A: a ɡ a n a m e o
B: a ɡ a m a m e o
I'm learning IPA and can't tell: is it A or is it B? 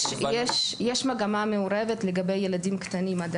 B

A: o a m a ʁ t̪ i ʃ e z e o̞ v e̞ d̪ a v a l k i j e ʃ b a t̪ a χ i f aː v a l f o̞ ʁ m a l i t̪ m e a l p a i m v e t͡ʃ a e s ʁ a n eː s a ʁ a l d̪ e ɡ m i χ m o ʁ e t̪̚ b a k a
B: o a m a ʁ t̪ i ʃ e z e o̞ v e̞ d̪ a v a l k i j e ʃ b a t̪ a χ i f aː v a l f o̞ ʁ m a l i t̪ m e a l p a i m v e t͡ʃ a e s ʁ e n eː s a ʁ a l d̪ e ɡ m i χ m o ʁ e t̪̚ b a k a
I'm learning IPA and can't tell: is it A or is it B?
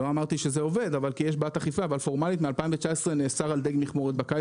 B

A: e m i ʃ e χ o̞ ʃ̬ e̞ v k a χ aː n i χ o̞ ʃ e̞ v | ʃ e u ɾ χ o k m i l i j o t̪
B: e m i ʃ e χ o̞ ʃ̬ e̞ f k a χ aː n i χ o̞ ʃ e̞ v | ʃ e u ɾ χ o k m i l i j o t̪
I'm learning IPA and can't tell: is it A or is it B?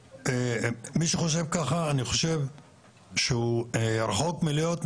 A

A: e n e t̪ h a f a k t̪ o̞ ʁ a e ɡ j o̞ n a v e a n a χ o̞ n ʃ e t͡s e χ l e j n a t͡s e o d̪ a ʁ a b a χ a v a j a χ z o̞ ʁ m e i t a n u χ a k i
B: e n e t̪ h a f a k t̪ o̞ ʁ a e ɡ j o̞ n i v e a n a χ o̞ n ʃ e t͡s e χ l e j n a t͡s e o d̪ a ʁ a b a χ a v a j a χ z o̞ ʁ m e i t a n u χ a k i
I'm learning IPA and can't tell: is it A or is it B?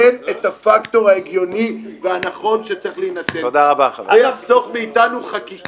B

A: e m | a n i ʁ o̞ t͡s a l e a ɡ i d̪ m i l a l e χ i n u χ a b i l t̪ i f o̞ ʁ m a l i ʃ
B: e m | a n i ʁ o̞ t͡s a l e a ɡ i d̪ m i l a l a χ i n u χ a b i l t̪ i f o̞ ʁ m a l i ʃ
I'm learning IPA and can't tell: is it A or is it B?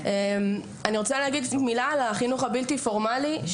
B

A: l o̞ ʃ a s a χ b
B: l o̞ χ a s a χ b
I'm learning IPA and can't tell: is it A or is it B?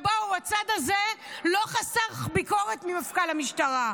B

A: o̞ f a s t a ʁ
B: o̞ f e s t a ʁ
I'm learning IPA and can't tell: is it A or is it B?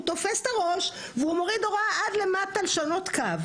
B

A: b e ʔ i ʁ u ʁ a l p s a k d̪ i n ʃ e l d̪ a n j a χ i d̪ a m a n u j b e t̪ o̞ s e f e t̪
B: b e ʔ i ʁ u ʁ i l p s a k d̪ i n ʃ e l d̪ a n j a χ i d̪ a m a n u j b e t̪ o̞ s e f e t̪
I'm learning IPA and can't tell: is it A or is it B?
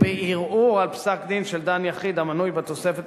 A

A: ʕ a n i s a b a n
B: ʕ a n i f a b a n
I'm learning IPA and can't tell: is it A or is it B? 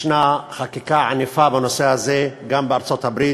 B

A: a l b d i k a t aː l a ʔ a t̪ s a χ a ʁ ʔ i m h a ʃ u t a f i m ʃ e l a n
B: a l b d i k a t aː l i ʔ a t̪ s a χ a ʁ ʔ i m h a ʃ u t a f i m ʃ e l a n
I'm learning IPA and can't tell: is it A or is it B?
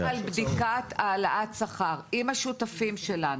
A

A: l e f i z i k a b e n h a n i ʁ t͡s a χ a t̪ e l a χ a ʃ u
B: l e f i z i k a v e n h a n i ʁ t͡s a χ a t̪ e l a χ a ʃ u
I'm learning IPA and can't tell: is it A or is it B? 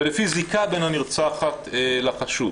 A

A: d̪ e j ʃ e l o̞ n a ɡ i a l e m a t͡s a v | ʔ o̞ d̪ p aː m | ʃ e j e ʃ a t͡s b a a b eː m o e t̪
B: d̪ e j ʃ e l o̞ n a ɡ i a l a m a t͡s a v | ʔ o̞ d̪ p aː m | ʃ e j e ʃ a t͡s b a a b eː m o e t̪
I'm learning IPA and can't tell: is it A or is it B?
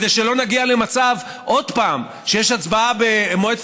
A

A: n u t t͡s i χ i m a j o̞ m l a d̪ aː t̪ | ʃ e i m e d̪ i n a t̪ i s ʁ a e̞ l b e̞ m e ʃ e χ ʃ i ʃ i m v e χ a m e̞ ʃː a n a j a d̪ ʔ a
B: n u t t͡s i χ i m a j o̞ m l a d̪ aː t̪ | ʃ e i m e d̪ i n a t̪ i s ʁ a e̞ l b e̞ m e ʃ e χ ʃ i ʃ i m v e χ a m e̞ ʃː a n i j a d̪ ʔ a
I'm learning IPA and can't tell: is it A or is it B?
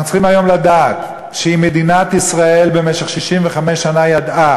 A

